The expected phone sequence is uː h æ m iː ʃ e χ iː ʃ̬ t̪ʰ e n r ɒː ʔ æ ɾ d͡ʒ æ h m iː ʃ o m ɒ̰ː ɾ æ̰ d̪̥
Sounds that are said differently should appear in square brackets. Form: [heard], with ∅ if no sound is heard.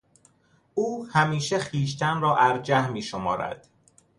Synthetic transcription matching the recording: uː h æ m iː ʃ e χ iː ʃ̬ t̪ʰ [æ] n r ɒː ʔ æ ɾ d͡ʒ æ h m iː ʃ o m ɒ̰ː ɾ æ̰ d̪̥